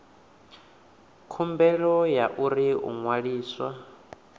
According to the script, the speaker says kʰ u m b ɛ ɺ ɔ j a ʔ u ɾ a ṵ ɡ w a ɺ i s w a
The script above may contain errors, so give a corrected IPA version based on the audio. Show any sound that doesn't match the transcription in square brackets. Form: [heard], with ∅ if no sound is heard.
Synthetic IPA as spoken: kʰ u m b ɛ ɺ ɔ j a ʔ u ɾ [i] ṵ [ŋ] w a ɺ [iː] s w a